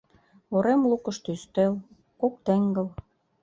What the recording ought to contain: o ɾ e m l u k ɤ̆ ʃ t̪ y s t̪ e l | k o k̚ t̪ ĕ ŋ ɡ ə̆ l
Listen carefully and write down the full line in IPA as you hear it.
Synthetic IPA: o ɾ e m l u k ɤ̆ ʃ t̪ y s t̪ e l | k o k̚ t̪ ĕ ŋ ɡ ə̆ l